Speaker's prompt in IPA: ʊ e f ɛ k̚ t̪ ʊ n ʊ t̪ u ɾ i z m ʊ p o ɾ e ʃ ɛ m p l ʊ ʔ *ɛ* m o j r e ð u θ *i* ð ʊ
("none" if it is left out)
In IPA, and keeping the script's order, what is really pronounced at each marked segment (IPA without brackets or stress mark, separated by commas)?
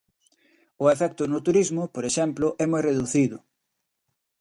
ɛ, i